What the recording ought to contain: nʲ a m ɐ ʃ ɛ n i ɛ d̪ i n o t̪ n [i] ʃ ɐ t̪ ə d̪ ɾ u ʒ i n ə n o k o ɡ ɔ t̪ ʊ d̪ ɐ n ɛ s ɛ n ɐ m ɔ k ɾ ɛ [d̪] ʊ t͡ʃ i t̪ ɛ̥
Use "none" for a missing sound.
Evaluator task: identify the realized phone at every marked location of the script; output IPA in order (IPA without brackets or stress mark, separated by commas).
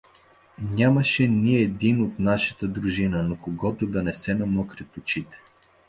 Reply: a, t̪